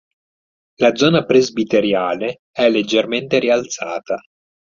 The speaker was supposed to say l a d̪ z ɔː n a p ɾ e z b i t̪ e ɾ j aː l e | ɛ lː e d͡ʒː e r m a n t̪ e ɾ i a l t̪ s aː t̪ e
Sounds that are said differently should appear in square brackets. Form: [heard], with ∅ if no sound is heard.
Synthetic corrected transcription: l a d̪ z ɔː n a p ɾ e z b i t̪ e ɾ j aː l e | ɛ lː e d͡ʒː e r m [e] n t̪ e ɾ i a l t̪ s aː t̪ [a]